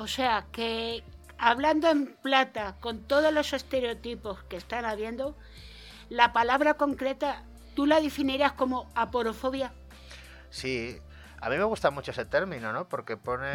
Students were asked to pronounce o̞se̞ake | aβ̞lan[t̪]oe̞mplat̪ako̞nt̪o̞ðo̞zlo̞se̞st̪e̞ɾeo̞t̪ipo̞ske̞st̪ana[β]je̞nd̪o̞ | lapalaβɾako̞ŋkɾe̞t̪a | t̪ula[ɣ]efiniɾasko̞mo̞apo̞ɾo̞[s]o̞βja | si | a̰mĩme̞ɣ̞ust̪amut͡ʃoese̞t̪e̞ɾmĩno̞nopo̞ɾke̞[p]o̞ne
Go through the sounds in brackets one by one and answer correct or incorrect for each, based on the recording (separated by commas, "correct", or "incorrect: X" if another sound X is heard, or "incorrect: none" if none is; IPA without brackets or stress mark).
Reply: incorrect: d̪, correct, incorrect: ð, incorrect: f, correct